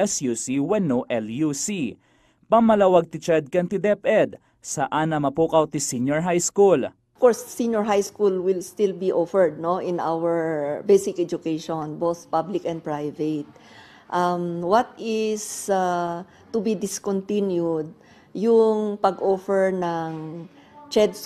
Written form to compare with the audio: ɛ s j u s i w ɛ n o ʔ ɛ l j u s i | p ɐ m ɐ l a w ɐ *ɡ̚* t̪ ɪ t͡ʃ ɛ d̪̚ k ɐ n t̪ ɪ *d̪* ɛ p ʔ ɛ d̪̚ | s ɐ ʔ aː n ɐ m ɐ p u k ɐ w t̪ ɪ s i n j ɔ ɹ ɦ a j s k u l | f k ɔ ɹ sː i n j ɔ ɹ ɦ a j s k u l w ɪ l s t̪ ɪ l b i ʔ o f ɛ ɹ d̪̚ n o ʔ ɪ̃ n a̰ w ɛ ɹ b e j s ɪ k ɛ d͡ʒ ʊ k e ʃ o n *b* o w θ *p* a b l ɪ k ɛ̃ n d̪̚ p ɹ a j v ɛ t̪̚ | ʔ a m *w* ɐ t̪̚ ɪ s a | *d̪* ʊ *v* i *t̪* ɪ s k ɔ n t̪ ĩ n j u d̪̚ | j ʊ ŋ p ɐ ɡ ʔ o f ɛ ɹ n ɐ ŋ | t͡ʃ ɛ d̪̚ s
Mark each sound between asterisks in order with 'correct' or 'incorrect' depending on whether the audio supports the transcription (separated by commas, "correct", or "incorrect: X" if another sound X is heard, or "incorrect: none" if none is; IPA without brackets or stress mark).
correct, correct, correct, correct, correct, incorrect: t̪, incorrect: b, incorrect: d̪